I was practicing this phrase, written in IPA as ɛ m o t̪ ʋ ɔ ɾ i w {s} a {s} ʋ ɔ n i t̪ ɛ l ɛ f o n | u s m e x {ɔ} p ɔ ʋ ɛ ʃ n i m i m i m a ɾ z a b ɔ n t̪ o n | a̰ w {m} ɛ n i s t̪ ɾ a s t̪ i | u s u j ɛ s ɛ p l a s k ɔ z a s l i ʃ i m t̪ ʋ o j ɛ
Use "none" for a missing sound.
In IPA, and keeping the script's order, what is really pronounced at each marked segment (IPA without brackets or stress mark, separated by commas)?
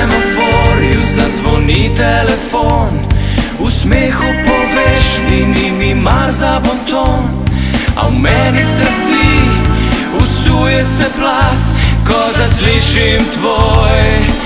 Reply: z, z, u, m